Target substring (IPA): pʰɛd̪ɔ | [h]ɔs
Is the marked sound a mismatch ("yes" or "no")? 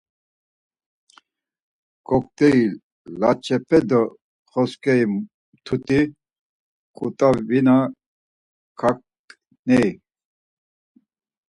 yes